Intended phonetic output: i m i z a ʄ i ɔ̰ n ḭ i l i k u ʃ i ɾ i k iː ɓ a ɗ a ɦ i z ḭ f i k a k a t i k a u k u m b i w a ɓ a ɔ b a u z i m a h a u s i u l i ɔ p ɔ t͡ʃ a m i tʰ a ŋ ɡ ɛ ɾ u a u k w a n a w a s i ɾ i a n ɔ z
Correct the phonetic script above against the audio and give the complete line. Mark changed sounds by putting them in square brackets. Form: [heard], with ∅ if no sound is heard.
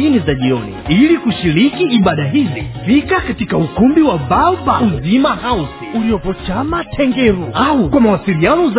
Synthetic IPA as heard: i [n] i z a ʄ i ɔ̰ n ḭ i l i k u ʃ i ɾ i k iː ɓ a ɗ a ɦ i z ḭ f i k a k a t i k a u k u m b i w a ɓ a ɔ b a u z i m a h a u s i u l i ɔ p ɔ t͡ʃ a m [a] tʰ [ɛ] ŋ ɡ ɛ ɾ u a u k w a [m] a w a s i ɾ i a n ɔ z